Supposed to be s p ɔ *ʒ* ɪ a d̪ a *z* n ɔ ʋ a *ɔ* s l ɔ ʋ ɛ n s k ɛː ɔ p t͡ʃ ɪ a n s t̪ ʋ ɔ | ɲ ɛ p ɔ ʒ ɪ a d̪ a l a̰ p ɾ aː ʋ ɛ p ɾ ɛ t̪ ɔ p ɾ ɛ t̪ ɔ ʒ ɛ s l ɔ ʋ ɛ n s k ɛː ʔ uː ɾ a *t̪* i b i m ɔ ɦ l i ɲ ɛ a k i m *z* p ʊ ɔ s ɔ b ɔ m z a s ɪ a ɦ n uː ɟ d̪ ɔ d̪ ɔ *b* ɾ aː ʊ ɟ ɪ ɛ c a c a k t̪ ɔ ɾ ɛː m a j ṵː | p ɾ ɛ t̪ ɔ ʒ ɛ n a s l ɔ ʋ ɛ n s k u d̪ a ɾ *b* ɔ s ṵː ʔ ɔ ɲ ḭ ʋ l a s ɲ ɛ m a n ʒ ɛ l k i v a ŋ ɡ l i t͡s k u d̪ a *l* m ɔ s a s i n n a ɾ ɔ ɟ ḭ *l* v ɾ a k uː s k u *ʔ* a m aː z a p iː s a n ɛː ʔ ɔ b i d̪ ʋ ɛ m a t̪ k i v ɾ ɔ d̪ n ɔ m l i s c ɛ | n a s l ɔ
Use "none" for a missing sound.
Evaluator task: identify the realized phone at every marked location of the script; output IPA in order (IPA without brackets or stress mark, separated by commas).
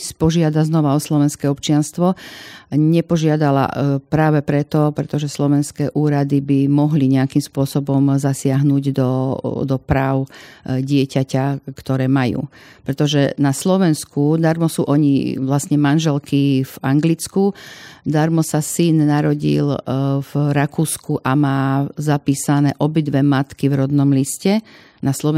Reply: ʒ, z, ɔ, d̪, s, p, m, ɾ, l, ʔ